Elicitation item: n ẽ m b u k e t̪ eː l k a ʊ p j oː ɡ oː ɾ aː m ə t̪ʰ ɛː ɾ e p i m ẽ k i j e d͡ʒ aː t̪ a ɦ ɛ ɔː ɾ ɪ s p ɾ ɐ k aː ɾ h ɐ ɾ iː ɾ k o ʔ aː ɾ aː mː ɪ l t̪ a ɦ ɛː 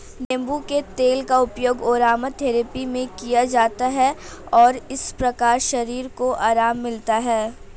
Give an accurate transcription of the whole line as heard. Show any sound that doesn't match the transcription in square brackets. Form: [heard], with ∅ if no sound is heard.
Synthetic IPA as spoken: n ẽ m b u k e t̪ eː l k a ʊ p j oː ɡ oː ɾ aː m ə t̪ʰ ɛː ɾ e p i m ẽ k i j [a] d͡ʒ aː t̪ a ɦ ɛ ɔː ɾ ɪ s p ɾ ɐ k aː ɾ [ʃ] ɐ ɾ iː ɾ k o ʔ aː ɾ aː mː ɪ l t̪ a ɦ ɛː